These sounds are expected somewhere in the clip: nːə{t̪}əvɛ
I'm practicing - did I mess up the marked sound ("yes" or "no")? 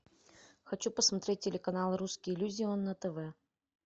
no